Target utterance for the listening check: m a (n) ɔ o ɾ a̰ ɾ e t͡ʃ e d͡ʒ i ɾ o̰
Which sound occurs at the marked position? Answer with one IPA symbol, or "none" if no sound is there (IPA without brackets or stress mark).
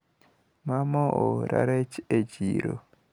m